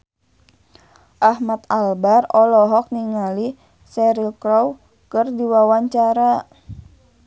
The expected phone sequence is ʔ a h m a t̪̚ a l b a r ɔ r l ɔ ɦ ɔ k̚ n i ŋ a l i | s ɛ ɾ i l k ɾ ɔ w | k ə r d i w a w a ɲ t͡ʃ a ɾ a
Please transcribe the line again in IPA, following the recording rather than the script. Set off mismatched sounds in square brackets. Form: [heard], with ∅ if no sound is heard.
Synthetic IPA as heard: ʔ a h m a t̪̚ a l b a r ɔ [∅] l ɔ ɦ ɔ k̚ n i ŋ a l i | s ɛ ɾ i l k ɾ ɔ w | k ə r d i w a w a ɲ t͡ʃ a ɾ a